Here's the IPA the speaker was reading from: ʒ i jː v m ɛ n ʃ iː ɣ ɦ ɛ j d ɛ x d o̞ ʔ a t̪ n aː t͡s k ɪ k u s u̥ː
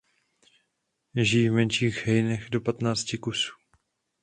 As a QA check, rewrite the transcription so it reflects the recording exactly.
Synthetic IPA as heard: ʒ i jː v m ɛ n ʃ iː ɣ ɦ ɛ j n ɛ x d o̞ p a t̪ n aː t͡s c ɪ k u s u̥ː